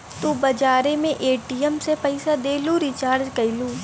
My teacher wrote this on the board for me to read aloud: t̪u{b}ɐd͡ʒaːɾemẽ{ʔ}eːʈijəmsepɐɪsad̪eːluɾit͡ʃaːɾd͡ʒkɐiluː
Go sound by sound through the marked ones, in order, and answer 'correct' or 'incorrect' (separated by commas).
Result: correct, correct